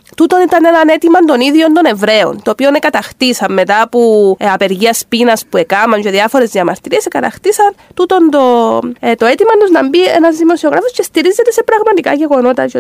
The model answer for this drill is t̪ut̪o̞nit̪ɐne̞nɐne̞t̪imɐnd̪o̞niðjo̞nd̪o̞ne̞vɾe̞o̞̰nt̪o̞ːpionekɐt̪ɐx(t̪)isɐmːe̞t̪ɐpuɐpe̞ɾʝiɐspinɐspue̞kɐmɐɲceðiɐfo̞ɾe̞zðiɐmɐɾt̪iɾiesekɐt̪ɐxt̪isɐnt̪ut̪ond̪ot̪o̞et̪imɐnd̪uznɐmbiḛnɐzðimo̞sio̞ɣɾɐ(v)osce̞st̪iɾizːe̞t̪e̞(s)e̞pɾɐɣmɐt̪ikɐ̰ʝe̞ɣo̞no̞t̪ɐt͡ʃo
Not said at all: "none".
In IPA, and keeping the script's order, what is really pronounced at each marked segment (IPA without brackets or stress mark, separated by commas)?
t̪, f, s